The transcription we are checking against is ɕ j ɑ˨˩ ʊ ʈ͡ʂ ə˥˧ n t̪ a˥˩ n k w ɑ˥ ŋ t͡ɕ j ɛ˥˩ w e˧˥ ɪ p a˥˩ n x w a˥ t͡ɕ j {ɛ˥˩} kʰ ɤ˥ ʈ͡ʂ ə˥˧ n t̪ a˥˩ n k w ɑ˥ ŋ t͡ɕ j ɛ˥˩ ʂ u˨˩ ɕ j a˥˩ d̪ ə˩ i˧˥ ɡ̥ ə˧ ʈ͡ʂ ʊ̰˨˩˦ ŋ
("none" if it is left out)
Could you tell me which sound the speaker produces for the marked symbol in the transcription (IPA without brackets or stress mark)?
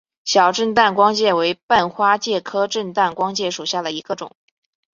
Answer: ɛ˥˩